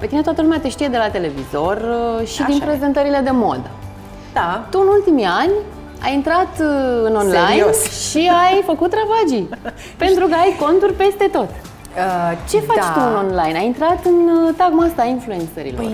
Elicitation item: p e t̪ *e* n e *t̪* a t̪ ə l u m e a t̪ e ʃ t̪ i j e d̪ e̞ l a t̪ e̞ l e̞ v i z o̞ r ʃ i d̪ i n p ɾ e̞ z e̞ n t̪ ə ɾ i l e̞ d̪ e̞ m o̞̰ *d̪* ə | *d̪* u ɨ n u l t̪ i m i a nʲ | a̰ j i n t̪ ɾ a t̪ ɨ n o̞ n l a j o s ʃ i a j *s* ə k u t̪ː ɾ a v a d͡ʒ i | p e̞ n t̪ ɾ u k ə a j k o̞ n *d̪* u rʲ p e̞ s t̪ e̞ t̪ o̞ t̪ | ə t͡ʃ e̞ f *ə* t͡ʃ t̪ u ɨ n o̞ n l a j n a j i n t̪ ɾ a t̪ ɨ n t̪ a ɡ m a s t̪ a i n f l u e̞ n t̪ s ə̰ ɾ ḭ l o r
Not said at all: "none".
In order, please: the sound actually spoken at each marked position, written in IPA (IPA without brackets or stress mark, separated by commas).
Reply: i, t̪, d̪, t̪, f, t̪, a